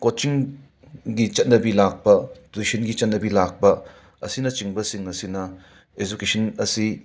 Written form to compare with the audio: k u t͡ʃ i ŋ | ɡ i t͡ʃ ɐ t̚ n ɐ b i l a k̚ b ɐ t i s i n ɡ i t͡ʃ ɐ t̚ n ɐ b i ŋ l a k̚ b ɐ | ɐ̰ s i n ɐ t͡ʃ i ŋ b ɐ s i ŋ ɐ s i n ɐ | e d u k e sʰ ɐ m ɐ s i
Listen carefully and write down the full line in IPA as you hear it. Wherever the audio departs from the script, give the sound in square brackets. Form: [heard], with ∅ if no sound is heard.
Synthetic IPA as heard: k [o] t͡ʃ i ŋ | ɡ i t͡ʃ ɐ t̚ n ɐ b i l a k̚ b ɐ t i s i n ɡ i t͡ʃ ɐ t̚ n ɐ b i [∅] l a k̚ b ɐ | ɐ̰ s i n ɐ t͡ʃ i ŋ b ɐ s i ŋ ɐ s i n ɐ | e [d͡ʒ] u k e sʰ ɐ [n] ɐ s i